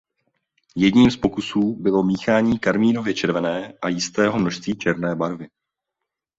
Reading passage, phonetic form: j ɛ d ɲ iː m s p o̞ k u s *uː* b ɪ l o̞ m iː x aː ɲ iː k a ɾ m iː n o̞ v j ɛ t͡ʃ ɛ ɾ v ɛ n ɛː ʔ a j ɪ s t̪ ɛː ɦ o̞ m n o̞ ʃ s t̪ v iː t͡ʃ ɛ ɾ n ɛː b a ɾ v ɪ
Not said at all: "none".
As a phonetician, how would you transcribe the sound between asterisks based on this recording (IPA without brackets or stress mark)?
uː